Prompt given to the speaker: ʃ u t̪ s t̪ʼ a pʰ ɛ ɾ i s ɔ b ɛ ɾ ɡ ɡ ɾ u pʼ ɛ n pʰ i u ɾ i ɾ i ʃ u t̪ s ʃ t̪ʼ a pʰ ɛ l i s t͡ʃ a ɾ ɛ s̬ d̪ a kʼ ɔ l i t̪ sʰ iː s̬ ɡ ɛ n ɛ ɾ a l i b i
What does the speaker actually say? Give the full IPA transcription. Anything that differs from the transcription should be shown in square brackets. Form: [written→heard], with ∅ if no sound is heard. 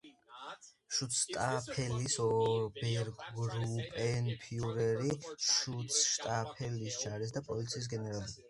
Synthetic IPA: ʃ u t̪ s t̪ʼ a pʰ ɛ [ɾ→l] i s ɔ b ɛ ɾ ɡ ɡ ɾ u pʼ ɛ n pʰ i u ɾ [i→ɛ] ɾ i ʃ u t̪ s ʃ t̪ʼ a pʰ ɛ l i s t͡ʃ a ɾ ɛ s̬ d̪ a [kʼ→pʼ] ɔ l i t̪ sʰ iː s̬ ɡ ɛ n ɛ ɾ a l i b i